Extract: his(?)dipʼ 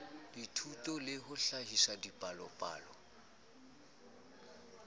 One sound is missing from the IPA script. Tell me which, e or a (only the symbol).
a